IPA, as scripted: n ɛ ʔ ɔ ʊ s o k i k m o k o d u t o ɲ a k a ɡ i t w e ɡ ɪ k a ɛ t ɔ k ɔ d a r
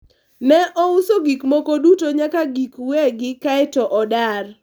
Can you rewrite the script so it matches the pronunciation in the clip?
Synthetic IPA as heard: n ɛ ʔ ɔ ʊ s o ɡ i k m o k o d u t o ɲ a k a ɡ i k w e ɡ ɪ k a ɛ t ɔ ʔ ɔ d a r